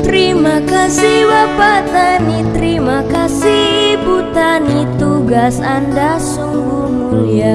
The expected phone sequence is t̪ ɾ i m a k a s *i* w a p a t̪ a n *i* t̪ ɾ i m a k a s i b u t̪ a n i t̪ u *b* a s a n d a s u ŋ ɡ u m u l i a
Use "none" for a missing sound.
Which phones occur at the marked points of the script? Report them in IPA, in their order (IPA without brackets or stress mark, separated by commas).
i, i, ɡ